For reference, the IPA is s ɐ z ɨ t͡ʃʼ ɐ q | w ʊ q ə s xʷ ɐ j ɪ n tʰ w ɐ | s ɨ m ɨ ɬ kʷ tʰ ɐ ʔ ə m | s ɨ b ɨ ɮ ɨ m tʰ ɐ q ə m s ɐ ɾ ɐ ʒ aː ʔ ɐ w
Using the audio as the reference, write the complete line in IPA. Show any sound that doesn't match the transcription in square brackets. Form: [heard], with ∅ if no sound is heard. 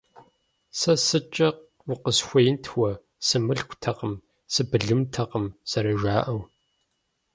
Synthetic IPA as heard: s ɐ [s] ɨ t͡ʃʼ ɐ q | w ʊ q ə s xʷ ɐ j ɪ n tʰ w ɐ | s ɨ m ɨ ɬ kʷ tʰ ɐ [q] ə m | s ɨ b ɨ ɮ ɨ m tʰ ɐ q ə m s ɐ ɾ ɐ ʒ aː ʔ ɐ w